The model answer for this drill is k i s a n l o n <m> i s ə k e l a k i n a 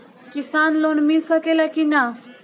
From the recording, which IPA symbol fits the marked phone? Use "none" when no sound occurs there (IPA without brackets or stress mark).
m